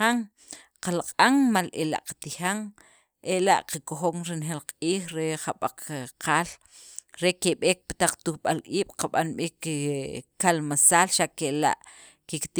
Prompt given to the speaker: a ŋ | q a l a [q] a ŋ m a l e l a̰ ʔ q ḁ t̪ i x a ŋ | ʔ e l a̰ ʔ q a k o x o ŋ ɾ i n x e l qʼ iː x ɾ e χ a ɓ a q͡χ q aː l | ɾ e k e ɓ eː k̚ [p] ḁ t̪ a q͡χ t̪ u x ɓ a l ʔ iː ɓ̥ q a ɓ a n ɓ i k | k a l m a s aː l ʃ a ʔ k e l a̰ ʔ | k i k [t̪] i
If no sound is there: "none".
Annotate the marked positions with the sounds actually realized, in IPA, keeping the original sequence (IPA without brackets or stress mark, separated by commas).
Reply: qʼ, p, t̪